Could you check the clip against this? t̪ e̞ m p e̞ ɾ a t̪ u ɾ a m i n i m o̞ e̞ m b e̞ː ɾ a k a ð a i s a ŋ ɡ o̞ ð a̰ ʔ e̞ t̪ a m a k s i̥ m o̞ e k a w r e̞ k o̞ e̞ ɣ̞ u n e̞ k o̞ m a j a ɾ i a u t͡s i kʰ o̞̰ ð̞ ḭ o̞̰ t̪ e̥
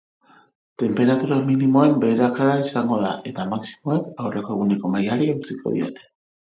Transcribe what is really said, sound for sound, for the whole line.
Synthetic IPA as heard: t̪ e̞ m p e̞ ɾ a t̪ u ɾ a m i n i m o̞ e̞ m b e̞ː ɾ a k a ð a i s a ŋ ɡ o̞ ð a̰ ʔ e̞ t̪ a m a k s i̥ m o̞ e k a w r e̞ k o̞ e̞ ɣ̞ u n e̞ k o̞ m a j a ɾ i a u t͡s i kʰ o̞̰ ð̞ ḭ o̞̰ t̪ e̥